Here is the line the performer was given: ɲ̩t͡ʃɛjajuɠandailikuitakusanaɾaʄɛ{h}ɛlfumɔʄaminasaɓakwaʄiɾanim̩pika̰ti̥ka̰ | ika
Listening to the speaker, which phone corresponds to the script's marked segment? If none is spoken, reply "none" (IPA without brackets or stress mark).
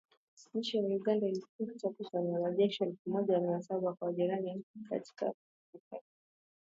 ʃ